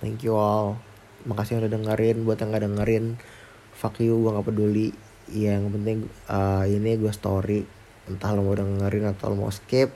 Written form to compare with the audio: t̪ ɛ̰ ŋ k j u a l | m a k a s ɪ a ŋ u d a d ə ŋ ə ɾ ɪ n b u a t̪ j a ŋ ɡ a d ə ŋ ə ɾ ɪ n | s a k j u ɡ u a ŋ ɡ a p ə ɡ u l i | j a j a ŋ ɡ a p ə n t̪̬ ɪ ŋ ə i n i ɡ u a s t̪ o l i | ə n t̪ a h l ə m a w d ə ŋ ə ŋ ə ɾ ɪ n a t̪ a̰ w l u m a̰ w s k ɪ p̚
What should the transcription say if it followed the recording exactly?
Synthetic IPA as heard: t̪ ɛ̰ ŋ k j u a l | m a k a s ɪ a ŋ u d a d ə ŋ ə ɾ ɪ n b u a t̪ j a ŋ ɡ a d ə ŋ ə ɾ ɪ n | f a k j u ɡ u a ŋ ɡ a p ə d u l i | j a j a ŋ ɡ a p ə n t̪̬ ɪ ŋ ə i n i ɡ u a s t̪ o ɾ i | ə n t̪ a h l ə m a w d ə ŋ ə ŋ ə ɾ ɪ n a t̪ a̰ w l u m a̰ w s k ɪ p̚